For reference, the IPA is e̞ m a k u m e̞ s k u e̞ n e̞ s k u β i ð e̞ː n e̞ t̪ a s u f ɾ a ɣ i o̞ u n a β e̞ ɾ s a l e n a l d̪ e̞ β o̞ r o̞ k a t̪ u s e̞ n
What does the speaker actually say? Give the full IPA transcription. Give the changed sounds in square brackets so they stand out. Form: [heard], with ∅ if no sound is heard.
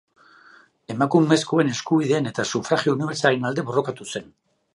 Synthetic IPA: e̞ m a k u m e̞ s k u e̞ n e̞ s k u β i ð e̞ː n e̞ t̪ a s u f ɾ a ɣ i o̞ u n [i] β e̞ ɾ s a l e n a l d̪ e̞ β o̞ r o̞ k a t̪ u s e̞ n